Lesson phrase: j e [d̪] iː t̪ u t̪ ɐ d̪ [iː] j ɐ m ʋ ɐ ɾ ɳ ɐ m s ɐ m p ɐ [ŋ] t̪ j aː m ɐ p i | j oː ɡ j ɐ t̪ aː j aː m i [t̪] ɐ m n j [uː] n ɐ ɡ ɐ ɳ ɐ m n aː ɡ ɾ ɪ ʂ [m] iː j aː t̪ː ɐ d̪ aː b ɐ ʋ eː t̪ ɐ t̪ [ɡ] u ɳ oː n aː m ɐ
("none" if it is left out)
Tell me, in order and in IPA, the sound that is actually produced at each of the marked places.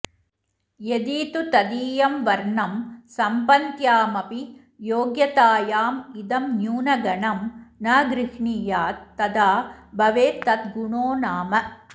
d̪, iː, n, d̪, uː, ɳ, ɡ

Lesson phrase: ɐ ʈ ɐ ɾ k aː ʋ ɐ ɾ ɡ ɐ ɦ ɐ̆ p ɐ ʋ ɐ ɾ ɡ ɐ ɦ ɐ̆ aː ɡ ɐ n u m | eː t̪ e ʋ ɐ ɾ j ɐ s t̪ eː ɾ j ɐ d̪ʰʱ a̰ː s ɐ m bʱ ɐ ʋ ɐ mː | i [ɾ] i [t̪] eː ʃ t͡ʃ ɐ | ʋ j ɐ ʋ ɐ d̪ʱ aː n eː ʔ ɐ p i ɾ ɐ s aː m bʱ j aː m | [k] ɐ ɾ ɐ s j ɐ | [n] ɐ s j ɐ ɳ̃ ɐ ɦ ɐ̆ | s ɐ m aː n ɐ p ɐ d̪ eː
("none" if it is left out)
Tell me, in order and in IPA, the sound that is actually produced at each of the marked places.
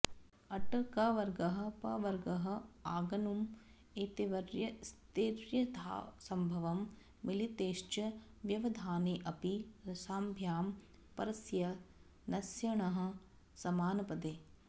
l, t̪, p, n

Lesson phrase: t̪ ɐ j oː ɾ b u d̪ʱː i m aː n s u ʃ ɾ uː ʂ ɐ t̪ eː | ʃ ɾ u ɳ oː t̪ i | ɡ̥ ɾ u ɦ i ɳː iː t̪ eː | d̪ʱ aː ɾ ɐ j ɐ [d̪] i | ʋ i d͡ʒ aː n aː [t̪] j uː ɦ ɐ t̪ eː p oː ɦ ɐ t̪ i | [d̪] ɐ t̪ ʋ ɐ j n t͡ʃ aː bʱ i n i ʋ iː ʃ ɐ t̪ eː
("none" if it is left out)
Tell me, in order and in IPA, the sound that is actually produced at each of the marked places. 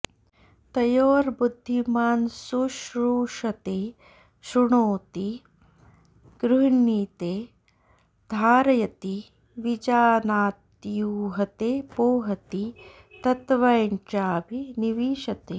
t̪, t̪, t̪

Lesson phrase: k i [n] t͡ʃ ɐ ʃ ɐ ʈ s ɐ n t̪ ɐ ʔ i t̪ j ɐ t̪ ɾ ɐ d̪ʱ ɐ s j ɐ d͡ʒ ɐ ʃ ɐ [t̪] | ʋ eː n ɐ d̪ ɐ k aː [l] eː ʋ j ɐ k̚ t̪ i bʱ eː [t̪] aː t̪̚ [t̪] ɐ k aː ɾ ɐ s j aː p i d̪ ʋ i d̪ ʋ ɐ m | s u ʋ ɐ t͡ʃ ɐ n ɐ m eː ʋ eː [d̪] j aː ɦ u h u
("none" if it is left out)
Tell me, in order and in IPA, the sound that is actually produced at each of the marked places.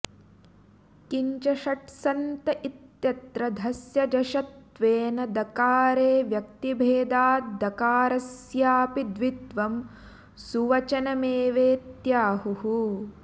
ɲ, t̪, ɾ, d̪, d̪, t̪

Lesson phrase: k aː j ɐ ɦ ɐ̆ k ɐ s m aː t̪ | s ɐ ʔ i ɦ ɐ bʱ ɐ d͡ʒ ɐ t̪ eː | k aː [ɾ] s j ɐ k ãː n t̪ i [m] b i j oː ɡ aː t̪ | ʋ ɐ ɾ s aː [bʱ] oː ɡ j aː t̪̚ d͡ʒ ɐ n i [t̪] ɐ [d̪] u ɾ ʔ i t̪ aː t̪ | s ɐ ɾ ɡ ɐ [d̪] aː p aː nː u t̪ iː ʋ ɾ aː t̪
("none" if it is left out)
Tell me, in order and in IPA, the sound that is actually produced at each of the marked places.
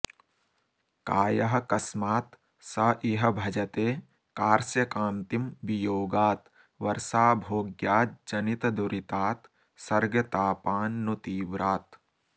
ɾ, m, bʱ, t̪, d̪, t̪

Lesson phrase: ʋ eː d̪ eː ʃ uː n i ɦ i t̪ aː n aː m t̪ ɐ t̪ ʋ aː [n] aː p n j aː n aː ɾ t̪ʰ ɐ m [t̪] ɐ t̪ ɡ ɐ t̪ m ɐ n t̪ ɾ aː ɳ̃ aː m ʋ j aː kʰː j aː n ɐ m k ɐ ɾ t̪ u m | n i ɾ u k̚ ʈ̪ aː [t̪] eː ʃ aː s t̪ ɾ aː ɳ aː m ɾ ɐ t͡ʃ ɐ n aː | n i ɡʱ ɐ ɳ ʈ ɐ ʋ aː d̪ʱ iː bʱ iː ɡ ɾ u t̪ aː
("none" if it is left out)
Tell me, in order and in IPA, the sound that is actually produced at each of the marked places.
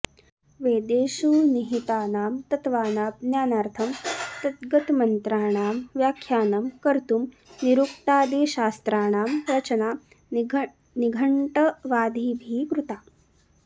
n, t̪, d̪

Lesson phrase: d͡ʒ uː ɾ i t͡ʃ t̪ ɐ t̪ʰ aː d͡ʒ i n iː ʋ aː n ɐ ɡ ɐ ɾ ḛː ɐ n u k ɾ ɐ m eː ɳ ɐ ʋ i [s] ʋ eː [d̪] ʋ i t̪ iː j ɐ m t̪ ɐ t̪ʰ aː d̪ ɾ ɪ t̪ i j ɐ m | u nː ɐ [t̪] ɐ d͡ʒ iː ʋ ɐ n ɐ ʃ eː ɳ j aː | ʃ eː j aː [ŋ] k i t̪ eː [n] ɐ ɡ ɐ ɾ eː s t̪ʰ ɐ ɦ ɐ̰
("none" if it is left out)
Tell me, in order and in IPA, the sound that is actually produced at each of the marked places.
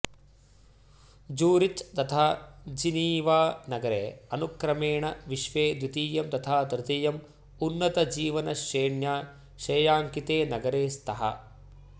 ʃ, d̪, t̪, ŋ, n

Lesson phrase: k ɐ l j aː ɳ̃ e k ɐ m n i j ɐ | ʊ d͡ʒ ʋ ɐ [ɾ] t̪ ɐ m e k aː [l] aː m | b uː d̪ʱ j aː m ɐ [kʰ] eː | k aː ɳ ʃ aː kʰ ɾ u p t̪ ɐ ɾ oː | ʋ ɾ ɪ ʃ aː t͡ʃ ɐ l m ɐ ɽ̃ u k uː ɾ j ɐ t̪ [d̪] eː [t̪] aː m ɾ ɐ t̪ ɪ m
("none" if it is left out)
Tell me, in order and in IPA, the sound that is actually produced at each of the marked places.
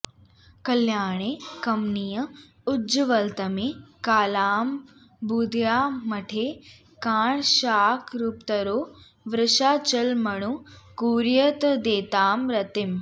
l, l, ʈʰ, d̪, t̪

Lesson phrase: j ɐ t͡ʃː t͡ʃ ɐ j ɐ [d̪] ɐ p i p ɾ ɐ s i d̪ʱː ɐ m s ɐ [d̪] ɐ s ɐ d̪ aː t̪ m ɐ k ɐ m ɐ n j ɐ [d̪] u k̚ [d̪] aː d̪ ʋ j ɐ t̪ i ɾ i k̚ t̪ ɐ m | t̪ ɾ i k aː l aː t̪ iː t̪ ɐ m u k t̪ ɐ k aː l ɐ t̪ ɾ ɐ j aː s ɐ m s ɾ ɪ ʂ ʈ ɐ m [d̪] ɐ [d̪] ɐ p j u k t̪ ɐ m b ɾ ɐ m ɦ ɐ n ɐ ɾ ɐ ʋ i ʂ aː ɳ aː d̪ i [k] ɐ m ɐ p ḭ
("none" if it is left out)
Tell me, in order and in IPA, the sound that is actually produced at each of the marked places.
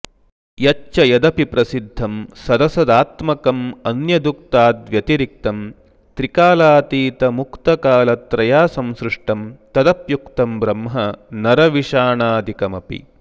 d̪, d̪, d̪, t̪, t̪, d̪, k

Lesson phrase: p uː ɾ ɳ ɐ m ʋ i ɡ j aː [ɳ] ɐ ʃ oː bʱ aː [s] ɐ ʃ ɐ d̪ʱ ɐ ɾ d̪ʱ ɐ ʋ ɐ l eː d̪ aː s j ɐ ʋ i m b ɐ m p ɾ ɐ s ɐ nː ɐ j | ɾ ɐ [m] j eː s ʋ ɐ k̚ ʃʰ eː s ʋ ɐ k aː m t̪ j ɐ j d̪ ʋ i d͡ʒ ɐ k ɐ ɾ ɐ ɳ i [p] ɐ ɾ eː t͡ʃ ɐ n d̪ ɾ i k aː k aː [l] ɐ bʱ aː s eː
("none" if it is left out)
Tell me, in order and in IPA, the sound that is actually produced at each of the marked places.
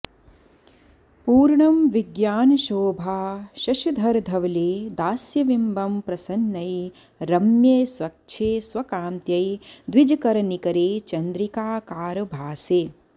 n, ʃ, m, k, ɾ

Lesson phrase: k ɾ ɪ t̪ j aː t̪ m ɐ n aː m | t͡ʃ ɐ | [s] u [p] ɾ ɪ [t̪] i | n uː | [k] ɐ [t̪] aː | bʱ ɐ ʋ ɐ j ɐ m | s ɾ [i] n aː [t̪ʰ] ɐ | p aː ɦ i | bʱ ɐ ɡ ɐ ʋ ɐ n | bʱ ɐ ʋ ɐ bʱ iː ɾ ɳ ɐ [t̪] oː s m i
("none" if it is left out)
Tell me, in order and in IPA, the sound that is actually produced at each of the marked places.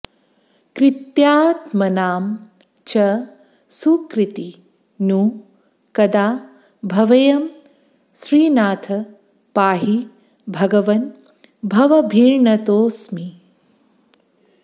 s, k, t̪, k, d̪, iː, t̪ʰ, t̪

